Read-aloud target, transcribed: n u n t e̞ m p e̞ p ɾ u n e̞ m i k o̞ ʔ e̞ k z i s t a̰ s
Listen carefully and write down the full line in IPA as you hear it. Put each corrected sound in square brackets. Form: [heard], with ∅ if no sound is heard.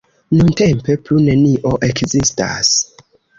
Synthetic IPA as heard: n u n t e̞ m p e̞ p [l] u n e̞ [n] i [ʔ] o̞ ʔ e̞ k z i s t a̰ s